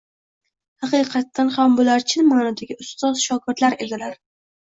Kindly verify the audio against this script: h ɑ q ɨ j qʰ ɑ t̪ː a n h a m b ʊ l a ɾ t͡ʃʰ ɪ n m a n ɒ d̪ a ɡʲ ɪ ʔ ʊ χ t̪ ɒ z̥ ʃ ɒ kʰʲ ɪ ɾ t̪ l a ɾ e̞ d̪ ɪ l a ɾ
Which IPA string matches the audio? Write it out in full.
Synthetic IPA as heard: h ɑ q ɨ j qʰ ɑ t̪ː a n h a m b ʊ l a ɾ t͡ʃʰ ɪ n m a n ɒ d̪ a ɡʲ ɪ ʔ ʊ s t̪ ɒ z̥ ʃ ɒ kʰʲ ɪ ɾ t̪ l a ɾ e̞ d̪ ɪ l a ɾ